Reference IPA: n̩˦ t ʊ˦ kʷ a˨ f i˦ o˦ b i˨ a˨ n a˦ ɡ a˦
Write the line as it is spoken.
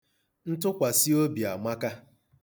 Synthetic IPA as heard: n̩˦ t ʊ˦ kʷ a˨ s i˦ o˦ b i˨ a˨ m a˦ k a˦